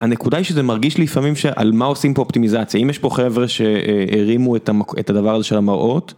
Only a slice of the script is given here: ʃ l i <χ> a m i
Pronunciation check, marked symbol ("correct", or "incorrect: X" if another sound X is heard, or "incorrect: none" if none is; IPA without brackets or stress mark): incorrect: f